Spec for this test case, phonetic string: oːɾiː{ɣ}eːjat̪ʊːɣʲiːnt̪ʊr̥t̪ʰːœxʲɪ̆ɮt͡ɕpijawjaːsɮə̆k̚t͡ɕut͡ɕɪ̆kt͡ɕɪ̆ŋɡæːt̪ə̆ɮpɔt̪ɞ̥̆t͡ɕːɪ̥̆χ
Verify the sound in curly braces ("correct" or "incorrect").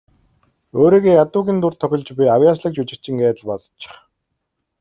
correct